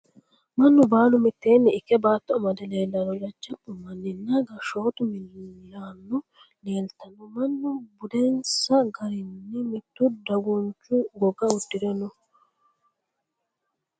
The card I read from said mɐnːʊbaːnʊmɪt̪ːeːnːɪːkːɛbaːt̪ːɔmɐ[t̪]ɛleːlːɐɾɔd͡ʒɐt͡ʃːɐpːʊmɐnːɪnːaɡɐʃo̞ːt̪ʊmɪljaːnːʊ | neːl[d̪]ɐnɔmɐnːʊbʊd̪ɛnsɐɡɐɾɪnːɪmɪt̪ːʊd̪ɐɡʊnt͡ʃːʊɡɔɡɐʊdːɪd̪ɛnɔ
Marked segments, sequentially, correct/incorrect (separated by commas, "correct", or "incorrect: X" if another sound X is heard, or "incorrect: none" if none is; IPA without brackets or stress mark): incorrect: d̪, incorrect: t̪